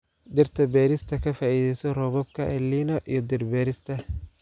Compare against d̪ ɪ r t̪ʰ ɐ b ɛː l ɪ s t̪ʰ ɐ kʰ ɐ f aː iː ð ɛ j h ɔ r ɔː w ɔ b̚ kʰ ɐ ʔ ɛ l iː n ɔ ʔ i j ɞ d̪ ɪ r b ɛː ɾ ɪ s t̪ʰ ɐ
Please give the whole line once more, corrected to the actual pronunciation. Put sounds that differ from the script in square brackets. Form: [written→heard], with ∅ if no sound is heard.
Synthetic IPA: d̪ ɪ r t̪ʰ ɐ b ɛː [l→ɾ] ɪ s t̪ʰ ɐ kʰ ɐ f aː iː ð ɛ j [h→s] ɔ r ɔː [w→β] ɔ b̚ kʰ ɐ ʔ ɛ l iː n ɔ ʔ i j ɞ d̪ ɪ r b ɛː ɾ ɪ s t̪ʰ ɐ